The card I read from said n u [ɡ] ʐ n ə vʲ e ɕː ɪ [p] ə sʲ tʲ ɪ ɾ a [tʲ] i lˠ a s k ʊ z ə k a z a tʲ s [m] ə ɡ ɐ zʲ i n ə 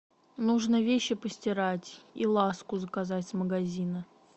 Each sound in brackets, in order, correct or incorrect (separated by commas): incorrect, correct, correct, correct